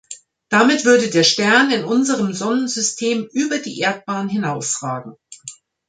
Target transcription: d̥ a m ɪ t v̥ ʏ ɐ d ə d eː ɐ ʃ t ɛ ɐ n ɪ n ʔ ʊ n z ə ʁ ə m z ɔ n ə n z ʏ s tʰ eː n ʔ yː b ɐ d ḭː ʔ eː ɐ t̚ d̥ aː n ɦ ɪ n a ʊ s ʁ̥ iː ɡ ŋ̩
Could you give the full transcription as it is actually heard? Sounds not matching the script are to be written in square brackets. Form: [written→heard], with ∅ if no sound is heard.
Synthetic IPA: d̥ a m ɪ t v̥ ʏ ɐ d ə d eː ɐ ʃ t ɛ ɐ n ɪ n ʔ ʊ n z ə ʁ ə m z ɔ n ə n z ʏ s tʰ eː [n→m] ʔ yː b ɐ d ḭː ʔ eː ɐ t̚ [d̥→b̥] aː n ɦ ɪ n a ʊ s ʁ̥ [iː→aː] ɡ ŋ̩